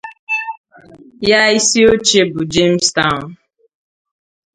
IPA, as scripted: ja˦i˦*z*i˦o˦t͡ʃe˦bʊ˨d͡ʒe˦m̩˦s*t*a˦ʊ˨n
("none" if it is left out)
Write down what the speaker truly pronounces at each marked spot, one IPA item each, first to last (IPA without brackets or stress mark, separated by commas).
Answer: s, t